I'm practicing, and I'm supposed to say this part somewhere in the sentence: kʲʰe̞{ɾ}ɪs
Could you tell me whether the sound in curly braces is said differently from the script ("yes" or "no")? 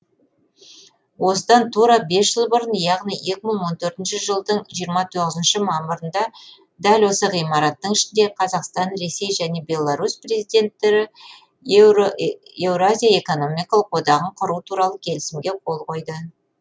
yes